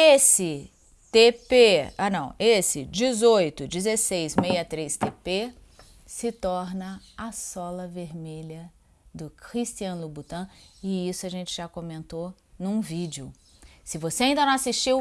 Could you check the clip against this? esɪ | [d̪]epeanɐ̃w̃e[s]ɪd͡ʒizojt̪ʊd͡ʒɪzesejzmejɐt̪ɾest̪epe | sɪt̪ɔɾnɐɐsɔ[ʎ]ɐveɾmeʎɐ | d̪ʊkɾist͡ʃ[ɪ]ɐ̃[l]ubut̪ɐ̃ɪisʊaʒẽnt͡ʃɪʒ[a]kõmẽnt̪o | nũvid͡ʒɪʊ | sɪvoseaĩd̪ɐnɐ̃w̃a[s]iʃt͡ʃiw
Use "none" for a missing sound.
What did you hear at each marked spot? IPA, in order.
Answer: t̪, s, l, i, l, a, s

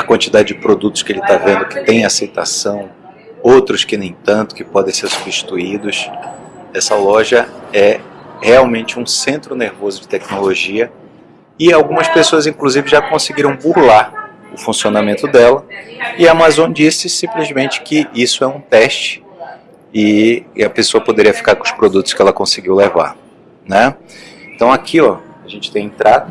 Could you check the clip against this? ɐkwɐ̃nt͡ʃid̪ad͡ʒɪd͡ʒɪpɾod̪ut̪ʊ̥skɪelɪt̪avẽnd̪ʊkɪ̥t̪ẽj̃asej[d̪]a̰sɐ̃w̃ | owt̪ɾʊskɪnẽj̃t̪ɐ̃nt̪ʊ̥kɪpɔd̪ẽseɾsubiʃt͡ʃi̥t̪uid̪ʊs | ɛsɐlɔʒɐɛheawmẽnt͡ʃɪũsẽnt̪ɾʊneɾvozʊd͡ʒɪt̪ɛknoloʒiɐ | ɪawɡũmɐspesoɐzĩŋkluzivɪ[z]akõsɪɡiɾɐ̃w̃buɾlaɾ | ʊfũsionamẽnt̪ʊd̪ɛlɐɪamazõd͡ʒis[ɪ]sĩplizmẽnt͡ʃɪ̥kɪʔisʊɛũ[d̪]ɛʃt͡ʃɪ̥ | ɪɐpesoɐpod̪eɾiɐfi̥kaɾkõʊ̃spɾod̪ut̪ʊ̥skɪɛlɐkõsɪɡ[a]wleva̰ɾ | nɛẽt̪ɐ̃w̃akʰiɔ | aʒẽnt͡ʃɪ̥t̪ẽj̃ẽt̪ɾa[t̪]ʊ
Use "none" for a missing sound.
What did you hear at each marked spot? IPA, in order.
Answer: t̪, ʒ, ɪ, t̪, i, d̪

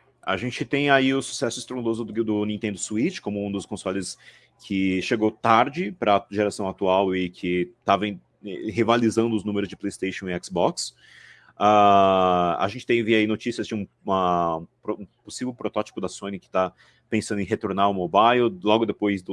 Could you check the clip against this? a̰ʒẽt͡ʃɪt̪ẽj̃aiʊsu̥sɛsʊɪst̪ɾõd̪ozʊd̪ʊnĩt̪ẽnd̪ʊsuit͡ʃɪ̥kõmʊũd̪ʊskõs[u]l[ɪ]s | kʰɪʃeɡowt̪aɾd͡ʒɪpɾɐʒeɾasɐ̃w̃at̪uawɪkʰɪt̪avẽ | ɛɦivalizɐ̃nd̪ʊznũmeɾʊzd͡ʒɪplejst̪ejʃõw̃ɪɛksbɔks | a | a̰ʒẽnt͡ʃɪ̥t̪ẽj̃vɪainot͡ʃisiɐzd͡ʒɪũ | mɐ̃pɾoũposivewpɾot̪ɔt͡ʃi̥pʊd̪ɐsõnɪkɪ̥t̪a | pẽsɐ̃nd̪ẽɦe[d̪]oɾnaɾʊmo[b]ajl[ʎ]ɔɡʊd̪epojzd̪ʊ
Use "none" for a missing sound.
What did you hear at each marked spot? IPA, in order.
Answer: ɔ, ɪ, t̪, b, l

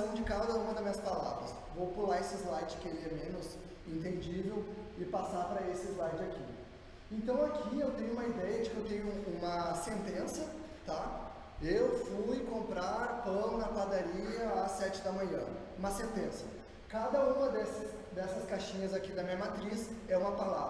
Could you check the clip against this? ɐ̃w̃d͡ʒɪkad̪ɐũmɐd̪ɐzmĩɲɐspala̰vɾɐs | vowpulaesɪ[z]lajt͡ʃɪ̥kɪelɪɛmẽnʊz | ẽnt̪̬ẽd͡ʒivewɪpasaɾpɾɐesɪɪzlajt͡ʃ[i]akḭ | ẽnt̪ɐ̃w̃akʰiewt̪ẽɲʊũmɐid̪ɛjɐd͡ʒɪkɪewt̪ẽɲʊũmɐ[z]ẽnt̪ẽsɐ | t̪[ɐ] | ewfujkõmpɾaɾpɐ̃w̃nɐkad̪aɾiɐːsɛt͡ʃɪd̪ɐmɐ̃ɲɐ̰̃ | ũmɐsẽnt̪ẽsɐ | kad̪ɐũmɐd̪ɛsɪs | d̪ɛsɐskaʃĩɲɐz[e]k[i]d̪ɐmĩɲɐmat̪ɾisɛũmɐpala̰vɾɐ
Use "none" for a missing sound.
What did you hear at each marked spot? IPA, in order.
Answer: z, ɪ, s, a, a, i

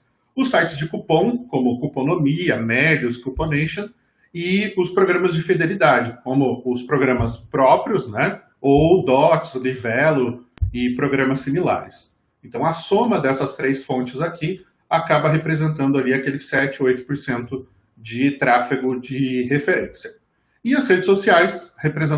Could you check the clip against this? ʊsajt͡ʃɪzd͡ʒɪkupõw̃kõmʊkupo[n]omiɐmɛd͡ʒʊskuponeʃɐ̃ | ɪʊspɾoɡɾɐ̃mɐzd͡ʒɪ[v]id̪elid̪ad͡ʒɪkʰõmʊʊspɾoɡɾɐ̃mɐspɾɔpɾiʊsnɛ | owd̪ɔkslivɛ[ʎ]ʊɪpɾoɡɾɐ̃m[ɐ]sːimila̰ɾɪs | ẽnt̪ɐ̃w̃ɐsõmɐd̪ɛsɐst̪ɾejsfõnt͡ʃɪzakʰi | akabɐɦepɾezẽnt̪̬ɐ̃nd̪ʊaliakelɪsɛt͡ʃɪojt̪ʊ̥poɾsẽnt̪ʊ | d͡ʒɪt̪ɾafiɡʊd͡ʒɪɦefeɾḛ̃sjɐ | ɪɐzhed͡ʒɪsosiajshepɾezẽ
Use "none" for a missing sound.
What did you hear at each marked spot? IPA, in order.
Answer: n, f, l, ɐ

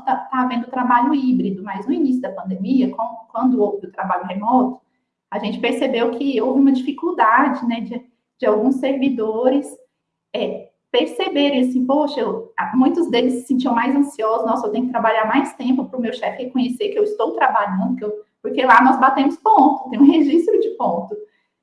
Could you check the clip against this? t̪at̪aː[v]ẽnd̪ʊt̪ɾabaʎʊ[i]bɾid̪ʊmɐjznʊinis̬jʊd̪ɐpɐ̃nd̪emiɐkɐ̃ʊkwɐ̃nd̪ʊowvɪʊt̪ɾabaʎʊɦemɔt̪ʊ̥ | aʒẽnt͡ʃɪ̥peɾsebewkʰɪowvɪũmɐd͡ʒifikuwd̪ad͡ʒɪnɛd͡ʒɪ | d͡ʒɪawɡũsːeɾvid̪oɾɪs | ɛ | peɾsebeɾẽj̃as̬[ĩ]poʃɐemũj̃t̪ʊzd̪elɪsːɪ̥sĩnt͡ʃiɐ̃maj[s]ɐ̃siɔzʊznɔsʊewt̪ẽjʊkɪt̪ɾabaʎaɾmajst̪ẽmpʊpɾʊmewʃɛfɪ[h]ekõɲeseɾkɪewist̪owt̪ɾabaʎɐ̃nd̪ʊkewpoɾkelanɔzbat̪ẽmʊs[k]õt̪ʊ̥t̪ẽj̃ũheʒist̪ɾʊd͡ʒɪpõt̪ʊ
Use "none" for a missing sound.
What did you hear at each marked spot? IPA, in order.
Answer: v, i, ĩ, z, h, p

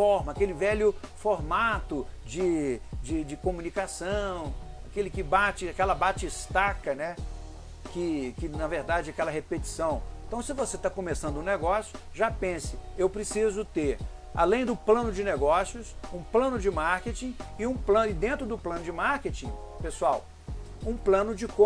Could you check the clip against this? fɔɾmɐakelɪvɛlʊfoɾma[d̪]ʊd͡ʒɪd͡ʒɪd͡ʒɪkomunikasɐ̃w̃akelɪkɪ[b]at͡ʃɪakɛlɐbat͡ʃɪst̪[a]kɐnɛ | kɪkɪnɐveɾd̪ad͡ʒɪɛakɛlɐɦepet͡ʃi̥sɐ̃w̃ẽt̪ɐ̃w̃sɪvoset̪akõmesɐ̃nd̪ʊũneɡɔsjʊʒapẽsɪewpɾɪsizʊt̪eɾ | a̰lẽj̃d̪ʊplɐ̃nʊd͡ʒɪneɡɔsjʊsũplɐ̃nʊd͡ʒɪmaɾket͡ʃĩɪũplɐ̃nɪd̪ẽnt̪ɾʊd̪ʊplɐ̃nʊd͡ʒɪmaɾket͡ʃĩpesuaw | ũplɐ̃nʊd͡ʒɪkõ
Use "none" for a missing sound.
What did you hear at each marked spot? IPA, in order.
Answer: t̪, b, a

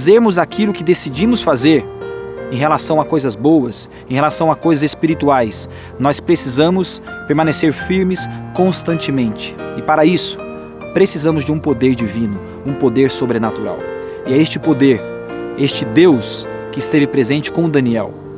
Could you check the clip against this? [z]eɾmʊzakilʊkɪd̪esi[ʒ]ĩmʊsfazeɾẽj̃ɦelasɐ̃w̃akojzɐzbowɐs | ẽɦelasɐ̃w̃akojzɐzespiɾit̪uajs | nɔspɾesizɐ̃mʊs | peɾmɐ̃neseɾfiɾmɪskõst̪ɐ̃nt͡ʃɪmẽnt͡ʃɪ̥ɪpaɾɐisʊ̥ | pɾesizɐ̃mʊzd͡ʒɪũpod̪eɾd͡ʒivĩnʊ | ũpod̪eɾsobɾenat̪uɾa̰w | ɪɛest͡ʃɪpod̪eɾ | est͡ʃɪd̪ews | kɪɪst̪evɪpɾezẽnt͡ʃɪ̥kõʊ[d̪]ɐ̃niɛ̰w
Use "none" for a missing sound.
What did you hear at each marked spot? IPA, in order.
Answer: z, d͡ʒ, d̪

